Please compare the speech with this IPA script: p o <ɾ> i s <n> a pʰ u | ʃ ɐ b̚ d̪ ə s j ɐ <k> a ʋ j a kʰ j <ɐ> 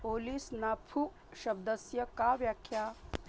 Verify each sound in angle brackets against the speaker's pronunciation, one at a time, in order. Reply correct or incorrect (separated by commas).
incorrect, correct, correct, incorrect